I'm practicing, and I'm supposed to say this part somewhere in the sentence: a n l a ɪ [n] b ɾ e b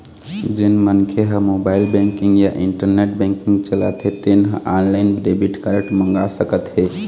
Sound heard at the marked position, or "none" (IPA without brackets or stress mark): n